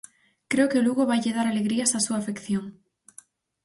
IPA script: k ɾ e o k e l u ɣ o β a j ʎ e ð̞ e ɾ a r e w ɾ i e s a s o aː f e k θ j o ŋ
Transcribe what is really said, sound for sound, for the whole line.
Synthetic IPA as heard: k ɾ e o k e l u ɣ o β a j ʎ e ð̞ a ɾ a l e ɣ ɾ i a s a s u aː f e k θ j o ŋ